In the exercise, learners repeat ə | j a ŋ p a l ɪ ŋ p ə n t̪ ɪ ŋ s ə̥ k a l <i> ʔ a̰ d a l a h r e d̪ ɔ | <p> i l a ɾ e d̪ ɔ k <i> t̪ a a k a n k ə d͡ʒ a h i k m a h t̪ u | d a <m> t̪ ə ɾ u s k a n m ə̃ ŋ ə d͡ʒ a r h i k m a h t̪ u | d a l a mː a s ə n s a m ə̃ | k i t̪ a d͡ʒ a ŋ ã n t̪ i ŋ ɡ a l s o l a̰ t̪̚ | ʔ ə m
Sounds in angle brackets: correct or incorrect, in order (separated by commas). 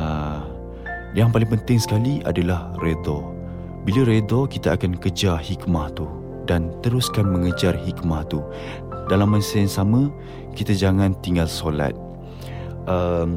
correct, incorrect, correct, incorrect